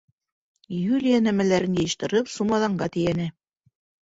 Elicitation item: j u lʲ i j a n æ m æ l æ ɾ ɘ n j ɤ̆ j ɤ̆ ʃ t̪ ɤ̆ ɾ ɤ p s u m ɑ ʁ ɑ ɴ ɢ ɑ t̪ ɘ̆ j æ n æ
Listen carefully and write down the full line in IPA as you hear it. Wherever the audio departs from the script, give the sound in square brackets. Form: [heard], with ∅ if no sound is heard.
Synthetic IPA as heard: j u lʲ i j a n æ m æ l æ ɾ ɘ n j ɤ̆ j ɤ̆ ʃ t̪ ɤ̆ ɾ ɤ p s u m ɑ [ð] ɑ ɴ ɢ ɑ t̪ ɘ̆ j æ n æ